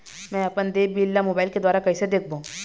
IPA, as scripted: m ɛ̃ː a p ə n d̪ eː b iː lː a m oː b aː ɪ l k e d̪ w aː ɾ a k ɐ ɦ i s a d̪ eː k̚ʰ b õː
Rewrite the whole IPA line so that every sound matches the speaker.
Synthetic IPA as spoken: m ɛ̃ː ɐ p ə n d̪ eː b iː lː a m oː b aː ɪ l k e d̪ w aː ɾ a k ɐ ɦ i s e d̪ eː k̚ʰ b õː